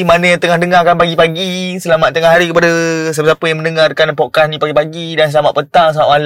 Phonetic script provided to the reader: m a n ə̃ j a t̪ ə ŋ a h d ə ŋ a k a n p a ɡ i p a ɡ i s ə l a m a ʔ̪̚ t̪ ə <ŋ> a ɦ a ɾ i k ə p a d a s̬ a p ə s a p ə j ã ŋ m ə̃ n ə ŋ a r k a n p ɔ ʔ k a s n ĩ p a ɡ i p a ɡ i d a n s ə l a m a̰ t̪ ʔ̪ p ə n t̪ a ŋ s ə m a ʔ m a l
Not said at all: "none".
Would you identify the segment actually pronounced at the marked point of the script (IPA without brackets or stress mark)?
ŋ